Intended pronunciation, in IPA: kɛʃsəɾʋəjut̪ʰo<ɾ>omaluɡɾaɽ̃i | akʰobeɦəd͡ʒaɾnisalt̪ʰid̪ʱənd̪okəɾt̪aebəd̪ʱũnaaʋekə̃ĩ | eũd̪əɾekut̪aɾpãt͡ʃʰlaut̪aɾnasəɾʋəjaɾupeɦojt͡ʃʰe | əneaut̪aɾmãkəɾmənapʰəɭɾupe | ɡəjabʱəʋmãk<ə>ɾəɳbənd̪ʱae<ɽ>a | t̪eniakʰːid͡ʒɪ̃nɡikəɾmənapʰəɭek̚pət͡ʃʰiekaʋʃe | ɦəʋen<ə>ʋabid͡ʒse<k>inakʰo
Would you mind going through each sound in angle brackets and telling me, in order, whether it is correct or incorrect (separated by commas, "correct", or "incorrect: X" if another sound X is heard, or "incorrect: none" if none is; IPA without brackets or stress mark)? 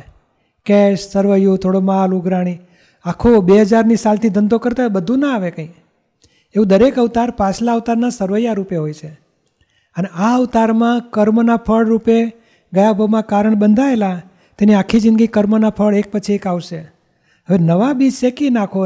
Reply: incorrect: ɽ, incorrect: a, incorrect: l, correct, correct